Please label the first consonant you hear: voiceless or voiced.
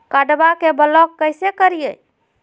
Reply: voiceless